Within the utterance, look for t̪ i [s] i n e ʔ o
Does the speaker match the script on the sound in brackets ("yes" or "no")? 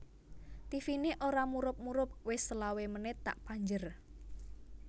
no